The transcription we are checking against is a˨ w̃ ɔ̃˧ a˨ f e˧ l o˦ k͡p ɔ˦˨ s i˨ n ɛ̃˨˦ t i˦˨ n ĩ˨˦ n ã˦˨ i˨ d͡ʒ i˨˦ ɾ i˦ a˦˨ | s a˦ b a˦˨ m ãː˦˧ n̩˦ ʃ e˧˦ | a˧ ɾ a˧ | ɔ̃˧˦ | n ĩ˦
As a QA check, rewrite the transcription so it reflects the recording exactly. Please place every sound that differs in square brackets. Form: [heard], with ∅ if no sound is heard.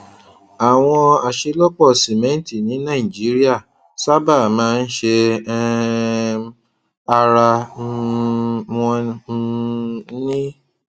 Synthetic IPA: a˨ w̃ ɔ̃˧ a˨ [ʃ] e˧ l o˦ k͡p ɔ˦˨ s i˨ [m] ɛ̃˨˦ t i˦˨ n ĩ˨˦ n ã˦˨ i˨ d͡ʒ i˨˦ ɾ i˦ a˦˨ | s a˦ b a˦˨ m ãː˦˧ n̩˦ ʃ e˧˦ | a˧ ɾ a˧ | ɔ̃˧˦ | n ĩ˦